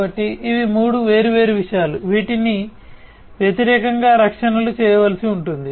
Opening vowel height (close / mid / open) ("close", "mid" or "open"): open